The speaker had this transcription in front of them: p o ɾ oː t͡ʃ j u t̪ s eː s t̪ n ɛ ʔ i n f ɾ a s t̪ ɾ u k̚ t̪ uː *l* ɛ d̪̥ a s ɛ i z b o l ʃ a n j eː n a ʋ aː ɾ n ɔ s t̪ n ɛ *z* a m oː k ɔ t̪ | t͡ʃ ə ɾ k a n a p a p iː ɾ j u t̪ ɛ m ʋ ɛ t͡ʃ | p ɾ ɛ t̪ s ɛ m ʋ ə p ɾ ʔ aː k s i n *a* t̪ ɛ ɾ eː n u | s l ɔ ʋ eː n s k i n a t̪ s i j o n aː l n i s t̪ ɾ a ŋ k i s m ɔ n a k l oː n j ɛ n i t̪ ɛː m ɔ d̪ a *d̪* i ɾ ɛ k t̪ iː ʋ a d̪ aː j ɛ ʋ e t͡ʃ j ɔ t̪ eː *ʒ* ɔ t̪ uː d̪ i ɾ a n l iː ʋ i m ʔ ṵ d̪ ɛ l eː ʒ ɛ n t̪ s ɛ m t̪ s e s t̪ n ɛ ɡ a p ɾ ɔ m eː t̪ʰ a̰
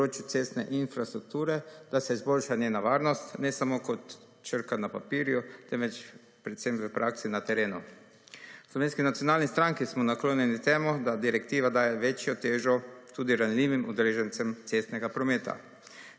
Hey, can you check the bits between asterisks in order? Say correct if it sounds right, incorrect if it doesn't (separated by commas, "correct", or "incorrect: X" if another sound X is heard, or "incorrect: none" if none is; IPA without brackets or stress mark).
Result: incorrect: ɾ, incorrect: s, correct, correct, correct